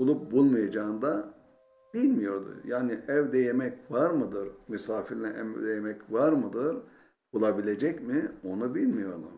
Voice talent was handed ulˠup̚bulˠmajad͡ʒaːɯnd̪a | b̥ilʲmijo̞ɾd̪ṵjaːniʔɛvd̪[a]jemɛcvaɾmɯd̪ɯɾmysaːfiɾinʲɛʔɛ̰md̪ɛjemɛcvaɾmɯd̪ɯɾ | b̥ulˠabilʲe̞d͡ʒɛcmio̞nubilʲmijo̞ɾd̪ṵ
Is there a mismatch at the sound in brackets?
yes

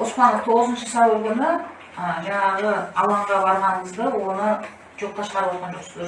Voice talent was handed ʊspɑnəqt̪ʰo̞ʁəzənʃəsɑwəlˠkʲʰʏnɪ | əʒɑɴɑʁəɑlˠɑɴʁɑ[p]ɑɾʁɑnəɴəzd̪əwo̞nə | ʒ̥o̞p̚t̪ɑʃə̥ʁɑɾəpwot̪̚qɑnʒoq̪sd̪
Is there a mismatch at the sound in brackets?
yes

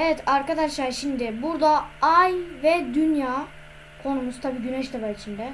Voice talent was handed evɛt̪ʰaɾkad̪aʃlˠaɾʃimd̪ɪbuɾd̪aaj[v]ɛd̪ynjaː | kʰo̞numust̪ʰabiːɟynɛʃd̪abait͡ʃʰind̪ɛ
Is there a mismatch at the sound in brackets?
no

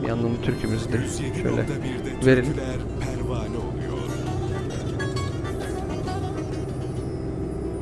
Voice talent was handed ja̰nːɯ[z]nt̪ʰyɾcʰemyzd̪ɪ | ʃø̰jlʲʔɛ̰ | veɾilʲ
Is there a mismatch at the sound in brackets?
yes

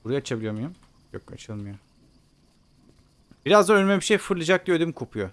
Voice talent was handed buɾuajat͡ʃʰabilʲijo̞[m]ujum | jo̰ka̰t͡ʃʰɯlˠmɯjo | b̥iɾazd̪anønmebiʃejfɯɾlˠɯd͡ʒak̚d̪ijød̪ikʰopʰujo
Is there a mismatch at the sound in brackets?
no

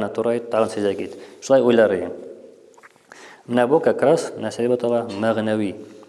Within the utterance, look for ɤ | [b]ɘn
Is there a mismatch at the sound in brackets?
yes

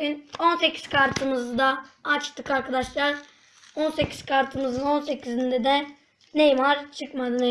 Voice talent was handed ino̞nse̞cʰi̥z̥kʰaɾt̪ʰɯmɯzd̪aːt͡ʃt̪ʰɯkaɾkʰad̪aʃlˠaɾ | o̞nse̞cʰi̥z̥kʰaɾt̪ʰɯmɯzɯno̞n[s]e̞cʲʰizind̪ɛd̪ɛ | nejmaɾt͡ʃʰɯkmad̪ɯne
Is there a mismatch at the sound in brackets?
no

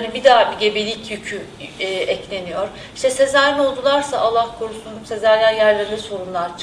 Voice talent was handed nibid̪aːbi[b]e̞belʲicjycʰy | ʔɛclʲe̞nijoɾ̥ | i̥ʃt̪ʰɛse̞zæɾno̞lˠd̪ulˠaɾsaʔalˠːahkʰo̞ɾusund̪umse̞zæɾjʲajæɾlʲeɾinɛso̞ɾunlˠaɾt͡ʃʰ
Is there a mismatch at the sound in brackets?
yes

